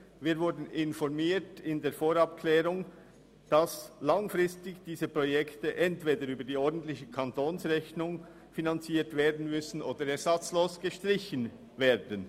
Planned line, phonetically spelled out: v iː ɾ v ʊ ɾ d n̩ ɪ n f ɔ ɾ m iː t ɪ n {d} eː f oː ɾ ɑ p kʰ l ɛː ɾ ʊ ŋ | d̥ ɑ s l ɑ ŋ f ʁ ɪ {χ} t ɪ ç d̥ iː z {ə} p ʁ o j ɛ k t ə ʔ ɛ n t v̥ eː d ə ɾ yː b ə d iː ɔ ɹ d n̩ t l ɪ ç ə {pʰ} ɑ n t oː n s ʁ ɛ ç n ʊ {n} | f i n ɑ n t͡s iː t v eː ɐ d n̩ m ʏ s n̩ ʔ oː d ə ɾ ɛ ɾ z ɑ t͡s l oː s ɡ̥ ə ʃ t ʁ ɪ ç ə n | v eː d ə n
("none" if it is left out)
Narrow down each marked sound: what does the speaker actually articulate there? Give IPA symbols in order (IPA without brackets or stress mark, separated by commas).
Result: d, s, ə, kʰ, ŋ